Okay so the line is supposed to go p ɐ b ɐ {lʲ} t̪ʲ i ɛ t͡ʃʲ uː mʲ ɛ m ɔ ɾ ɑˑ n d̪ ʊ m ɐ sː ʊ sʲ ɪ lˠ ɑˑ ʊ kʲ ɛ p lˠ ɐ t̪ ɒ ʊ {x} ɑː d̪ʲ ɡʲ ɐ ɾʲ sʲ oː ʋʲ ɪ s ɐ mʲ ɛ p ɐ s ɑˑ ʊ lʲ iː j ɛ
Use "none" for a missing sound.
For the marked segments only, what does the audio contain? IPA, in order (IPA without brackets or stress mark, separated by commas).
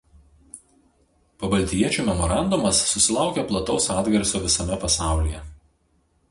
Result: lʲ, s